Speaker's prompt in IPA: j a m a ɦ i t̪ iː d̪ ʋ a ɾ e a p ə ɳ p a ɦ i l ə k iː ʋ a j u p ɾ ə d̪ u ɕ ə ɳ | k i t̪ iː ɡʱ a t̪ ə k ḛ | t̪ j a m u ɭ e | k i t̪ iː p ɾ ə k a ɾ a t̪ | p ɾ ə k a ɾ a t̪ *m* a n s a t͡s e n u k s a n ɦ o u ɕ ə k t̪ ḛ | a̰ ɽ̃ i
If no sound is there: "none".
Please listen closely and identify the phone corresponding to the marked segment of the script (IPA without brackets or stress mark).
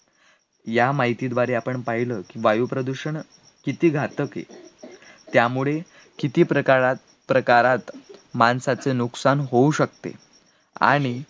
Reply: m